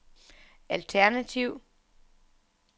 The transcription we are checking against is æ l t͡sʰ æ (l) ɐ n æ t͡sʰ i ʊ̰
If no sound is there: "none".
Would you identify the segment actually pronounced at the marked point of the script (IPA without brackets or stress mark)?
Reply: none